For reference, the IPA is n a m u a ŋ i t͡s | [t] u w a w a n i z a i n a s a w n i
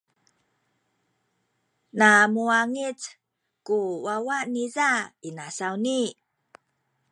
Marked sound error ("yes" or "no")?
yes